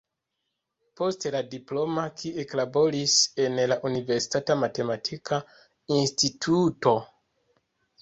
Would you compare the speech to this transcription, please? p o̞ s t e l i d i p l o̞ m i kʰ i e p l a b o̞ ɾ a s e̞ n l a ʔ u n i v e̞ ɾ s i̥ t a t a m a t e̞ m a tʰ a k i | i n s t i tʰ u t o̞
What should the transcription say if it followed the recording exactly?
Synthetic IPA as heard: p o̞ s t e l a d i p l o̞ m a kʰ i e k l a b o̞ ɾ i s e̞ n l a ʔ u n i v e̞ ɾ s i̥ t a t a m a t e̞ m a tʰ i k a | i n s t i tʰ u t o̞